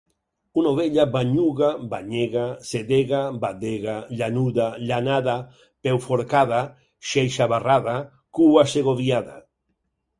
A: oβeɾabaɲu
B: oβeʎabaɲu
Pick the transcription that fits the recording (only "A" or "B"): B